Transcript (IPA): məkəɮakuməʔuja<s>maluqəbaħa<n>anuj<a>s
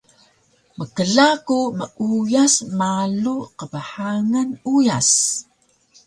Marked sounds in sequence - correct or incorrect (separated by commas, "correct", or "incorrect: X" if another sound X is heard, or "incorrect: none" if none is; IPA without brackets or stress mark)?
correct, incorrect: ŋ, correct